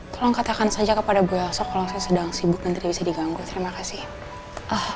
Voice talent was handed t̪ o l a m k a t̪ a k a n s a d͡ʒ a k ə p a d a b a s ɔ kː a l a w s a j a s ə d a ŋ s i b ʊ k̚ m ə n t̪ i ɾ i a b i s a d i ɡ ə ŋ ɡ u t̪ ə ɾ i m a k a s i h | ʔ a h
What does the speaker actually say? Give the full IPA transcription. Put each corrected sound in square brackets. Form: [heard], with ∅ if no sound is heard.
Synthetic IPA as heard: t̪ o l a [ŋ] k a t̪ a k a n s a d͡ʒ a k ə p a d a b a s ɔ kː a l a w s a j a s ə d a ŋ s i b ʊ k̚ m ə n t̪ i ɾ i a b i s a d i ɡ [a] ŋ ɡ u t̪ ə ɾ i m a k a s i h | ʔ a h

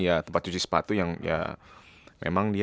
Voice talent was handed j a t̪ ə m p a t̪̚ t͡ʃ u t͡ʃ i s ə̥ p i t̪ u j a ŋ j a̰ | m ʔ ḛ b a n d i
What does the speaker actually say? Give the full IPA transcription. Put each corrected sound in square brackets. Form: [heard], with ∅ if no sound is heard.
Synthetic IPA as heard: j a t̪ ə m p a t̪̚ t͡ʃ u t͡ʃ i s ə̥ p [a] t̪ u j a ŋ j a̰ | m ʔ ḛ [m] a [ŋ] d i

